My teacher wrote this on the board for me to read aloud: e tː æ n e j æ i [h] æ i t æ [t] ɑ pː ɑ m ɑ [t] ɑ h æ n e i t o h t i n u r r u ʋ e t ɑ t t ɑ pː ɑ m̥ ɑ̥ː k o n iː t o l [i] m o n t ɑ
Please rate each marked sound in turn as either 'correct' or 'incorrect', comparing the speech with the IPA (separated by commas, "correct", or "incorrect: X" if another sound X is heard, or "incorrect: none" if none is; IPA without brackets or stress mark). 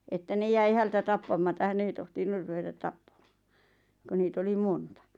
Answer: correct, correct, correct, correct